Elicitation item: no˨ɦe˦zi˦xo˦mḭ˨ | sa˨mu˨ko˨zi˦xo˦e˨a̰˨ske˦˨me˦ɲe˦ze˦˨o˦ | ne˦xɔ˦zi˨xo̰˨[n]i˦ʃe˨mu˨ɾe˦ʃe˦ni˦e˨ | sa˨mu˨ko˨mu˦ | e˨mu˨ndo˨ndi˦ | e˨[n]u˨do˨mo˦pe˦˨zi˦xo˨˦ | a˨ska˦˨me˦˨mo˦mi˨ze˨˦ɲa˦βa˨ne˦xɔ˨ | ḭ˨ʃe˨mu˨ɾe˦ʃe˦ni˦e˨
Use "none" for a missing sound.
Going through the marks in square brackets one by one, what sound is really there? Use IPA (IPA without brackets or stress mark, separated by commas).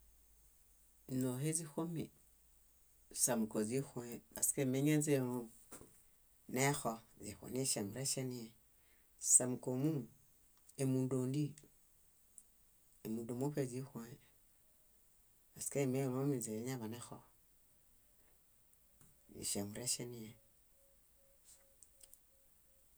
n, m